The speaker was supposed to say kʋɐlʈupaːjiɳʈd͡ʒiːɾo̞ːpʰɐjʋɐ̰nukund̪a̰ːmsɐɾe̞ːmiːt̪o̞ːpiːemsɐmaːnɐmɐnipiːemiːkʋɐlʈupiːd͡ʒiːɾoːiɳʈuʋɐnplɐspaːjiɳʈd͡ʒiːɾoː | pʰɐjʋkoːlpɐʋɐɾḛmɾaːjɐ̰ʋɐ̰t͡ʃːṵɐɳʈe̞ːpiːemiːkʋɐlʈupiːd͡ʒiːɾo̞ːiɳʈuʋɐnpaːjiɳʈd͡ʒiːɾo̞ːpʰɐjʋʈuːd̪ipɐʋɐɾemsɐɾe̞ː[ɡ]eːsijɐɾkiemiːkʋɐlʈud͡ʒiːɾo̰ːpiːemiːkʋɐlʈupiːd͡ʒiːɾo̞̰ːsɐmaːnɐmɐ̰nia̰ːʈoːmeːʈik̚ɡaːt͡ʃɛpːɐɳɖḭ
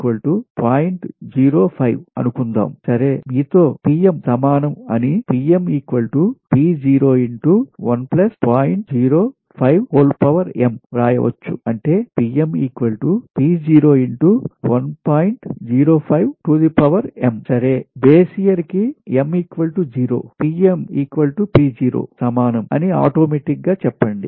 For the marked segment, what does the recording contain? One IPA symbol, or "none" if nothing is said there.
b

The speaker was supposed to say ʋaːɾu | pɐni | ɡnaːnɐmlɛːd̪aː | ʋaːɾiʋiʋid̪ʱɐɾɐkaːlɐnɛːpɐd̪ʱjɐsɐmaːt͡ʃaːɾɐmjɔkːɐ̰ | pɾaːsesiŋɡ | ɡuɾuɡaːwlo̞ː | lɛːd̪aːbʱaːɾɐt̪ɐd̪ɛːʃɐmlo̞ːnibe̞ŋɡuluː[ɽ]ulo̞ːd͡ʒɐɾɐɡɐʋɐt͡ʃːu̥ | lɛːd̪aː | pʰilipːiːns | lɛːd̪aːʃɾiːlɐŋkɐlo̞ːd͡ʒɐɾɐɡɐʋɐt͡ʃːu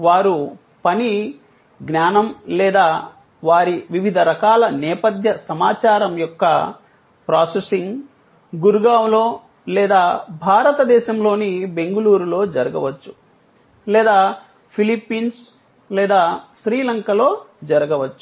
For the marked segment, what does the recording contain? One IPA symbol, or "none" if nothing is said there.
ɾ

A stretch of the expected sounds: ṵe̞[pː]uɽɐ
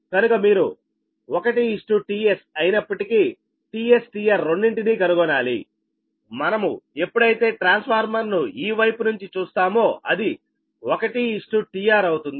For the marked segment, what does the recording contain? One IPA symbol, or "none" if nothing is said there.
pː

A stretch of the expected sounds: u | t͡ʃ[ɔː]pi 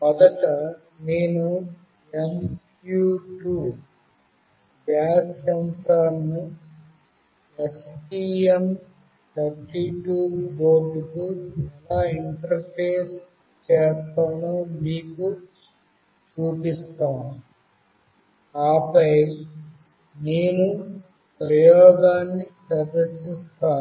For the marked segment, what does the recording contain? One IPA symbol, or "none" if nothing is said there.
uː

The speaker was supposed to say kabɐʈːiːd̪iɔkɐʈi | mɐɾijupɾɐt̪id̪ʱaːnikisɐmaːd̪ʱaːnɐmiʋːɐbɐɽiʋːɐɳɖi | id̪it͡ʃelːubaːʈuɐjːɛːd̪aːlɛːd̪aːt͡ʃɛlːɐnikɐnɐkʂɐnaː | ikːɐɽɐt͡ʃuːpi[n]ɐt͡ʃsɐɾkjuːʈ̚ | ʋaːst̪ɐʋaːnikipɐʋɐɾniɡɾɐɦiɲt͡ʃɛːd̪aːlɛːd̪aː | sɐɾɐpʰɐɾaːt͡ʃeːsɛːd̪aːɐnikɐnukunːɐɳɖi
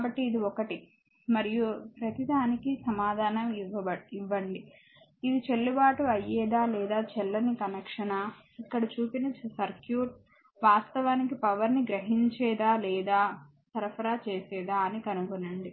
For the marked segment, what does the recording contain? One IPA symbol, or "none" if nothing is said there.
n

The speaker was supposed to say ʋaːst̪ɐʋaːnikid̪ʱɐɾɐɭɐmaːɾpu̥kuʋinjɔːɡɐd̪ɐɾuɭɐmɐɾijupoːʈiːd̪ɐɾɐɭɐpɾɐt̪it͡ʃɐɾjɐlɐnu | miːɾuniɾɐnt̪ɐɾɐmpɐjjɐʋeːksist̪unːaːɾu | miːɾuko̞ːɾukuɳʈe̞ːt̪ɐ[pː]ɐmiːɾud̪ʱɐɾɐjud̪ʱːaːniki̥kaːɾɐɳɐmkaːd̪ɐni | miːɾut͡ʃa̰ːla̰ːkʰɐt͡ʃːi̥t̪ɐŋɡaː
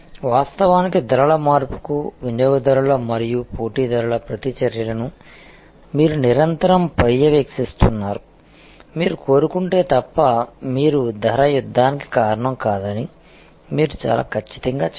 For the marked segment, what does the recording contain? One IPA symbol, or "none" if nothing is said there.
pː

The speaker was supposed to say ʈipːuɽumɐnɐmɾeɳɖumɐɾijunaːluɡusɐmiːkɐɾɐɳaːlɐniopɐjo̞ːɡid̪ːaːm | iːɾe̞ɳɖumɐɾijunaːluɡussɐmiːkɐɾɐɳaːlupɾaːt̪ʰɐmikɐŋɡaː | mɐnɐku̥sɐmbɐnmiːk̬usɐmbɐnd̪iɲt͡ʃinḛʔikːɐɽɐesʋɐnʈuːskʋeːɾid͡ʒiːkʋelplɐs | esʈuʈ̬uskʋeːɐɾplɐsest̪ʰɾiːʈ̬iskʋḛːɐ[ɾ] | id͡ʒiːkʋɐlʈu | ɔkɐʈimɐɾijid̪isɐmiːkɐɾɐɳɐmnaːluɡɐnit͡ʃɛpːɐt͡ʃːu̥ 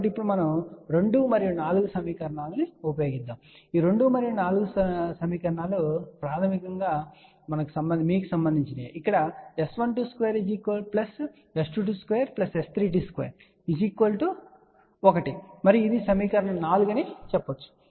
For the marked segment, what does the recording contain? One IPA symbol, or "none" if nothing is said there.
ɾ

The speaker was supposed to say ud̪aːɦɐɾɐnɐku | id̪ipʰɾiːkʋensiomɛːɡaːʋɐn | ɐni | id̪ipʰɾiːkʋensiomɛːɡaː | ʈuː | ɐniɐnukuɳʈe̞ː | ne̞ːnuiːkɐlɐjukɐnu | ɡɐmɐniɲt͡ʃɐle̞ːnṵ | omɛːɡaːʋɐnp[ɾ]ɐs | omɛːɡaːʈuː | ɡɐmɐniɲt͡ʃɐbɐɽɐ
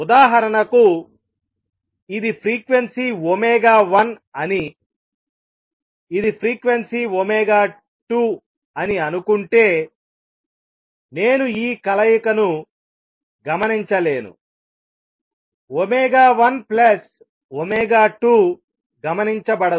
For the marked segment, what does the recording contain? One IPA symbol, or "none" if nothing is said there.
l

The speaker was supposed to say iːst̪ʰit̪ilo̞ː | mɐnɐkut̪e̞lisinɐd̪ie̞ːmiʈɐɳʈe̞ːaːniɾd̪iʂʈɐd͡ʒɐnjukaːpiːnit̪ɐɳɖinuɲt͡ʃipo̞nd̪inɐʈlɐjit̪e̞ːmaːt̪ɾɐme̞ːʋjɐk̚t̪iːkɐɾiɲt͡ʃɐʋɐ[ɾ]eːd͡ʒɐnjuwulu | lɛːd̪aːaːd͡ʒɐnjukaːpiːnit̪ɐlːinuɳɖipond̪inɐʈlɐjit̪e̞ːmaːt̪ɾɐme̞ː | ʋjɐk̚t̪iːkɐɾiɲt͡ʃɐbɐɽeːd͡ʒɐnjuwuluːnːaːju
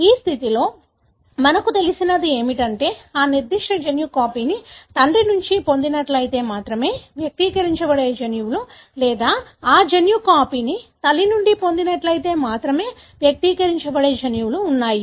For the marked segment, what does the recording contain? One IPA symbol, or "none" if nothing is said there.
ɽ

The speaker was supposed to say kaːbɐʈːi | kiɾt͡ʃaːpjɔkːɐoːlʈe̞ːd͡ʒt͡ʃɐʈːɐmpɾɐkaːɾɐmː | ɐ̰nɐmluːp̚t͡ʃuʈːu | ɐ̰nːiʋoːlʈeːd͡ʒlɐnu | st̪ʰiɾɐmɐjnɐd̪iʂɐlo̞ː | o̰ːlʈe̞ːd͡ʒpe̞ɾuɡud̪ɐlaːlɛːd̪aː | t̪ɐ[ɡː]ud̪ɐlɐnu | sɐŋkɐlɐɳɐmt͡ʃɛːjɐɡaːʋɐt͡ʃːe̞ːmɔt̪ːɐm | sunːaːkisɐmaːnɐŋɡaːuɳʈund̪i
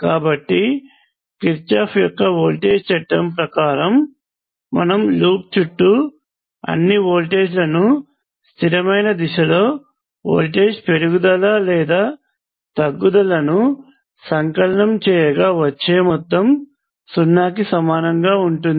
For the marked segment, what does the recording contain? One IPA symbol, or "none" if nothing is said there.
ɡː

